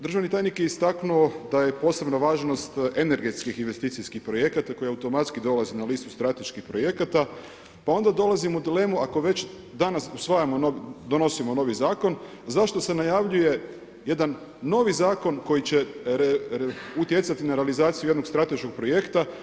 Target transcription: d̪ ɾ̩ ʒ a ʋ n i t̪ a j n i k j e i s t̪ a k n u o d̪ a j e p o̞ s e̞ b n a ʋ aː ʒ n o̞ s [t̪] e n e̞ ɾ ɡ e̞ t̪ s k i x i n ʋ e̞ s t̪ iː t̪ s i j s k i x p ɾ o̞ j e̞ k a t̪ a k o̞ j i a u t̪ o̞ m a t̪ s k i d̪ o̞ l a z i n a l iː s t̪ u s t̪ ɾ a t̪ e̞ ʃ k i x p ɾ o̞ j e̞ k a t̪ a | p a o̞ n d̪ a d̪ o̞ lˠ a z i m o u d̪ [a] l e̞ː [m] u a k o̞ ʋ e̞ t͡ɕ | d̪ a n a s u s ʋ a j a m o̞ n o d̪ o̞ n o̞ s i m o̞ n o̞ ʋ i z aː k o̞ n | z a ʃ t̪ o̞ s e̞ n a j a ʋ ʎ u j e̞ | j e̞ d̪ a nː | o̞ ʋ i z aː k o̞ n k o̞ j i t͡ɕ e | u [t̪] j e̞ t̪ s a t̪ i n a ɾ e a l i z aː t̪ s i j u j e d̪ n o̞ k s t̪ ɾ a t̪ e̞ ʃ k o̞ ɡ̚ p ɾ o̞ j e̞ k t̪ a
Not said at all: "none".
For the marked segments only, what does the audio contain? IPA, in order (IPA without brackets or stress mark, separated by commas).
t̪, i, m, t̪